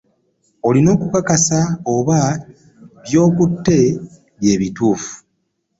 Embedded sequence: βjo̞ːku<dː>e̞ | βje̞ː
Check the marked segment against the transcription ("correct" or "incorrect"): incorrect